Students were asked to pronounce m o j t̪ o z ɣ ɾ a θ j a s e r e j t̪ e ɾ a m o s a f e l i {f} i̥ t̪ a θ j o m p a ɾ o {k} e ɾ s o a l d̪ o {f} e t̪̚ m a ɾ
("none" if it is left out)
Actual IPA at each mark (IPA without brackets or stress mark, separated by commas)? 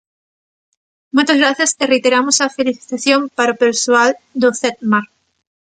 θ, p, θ